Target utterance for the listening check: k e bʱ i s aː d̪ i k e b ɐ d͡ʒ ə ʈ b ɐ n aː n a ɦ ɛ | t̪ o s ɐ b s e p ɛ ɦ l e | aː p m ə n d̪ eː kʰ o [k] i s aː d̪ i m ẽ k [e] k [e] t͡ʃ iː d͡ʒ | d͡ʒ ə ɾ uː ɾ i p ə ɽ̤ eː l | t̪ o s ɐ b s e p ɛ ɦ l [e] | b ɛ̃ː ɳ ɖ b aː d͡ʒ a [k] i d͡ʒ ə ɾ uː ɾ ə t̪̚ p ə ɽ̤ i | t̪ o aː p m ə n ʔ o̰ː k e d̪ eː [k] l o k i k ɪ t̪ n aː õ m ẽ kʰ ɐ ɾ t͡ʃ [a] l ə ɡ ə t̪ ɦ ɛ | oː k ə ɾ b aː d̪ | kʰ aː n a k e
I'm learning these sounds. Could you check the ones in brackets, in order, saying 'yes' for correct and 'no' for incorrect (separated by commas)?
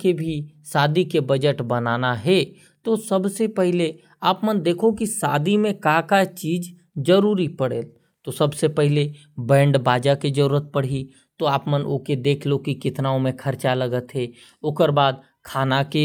yes, no, no, yes, yes, no, yes